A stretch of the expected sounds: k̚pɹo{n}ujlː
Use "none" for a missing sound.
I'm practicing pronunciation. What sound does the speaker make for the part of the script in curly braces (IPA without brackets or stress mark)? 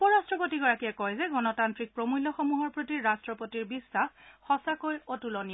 m